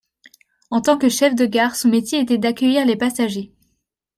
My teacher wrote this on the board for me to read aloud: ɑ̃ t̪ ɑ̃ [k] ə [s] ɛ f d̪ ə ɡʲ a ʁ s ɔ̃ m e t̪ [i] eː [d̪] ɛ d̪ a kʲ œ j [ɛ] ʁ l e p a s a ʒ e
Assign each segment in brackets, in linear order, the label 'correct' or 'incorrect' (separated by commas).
correct, incorrect, incorrect, incorrect, incorrect